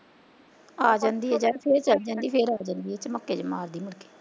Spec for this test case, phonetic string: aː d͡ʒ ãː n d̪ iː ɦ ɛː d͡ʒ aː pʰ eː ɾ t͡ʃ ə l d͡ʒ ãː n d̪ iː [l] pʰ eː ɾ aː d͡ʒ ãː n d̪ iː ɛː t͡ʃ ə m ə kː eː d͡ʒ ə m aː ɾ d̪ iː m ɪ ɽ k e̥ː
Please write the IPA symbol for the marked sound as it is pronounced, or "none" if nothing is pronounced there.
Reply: none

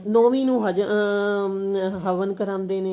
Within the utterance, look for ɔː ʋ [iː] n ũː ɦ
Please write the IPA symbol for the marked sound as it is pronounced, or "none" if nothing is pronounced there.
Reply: iː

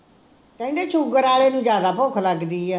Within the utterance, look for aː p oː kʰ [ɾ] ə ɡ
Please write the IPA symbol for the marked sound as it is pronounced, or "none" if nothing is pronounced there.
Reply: l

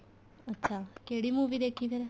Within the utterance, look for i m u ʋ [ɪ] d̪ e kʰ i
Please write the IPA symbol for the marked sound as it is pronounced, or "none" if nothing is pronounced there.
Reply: i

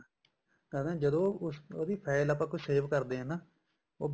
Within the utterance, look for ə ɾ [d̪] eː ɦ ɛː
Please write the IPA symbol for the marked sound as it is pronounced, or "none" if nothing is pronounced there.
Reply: d̪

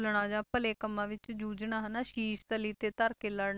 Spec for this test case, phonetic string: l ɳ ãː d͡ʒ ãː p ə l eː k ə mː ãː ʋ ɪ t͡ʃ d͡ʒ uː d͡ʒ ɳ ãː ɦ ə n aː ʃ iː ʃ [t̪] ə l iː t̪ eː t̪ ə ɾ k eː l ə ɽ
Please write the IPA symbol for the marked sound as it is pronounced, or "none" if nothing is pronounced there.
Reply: t̪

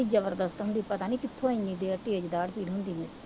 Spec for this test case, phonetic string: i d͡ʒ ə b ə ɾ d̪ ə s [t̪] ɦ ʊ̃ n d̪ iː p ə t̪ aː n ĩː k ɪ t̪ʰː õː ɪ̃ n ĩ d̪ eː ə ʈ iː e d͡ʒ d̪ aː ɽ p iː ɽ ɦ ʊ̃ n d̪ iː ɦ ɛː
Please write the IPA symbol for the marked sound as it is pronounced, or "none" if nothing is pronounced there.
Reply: t̪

